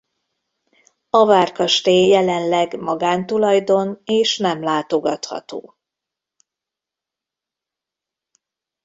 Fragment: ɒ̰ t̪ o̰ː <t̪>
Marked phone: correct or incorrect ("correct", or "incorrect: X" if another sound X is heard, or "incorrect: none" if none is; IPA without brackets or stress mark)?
incorrect: none